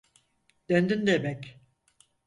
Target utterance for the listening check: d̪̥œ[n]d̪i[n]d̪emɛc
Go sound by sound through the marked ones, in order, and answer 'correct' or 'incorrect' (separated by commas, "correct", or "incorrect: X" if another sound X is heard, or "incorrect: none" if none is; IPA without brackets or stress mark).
correct, correct